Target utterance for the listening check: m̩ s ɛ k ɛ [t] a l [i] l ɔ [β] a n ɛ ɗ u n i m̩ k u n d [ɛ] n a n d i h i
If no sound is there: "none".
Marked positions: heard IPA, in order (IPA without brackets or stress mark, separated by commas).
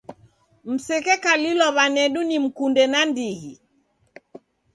k, i, β, ɛ